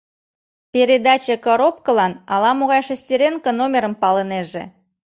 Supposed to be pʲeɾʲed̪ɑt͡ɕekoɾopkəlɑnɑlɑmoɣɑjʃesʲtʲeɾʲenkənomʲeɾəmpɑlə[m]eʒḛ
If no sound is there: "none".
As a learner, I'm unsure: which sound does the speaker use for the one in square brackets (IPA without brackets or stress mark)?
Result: n